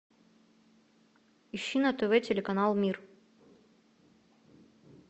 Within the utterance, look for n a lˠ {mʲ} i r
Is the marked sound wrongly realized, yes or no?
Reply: no